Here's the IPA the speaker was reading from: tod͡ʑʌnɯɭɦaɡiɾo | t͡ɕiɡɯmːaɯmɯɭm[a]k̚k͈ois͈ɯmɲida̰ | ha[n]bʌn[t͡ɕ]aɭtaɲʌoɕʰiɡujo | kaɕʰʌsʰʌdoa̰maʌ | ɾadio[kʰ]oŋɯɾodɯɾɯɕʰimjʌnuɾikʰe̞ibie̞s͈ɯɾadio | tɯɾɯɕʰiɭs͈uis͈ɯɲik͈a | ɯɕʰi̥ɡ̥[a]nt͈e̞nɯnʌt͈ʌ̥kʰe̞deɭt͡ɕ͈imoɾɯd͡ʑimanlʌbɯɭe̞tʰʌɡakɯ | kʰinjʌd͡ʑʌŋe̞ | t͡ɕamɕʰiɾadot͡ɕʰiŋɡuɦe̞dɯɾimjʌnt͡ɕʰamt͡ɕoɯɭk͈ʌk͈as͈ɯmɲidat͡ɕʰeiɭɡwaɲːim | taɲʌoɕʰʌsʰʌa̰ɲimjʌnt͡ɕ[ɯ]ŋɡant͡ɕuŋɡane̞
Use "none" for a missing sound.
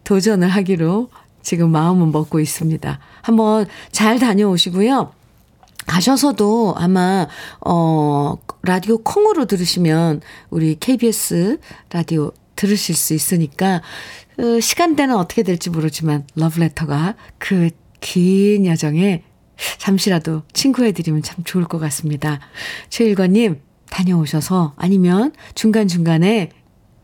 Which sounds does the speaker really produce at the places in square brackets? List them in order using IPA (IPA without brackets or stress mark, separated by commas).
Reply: ʌ, m, t͡ɕ, kʰ, a, u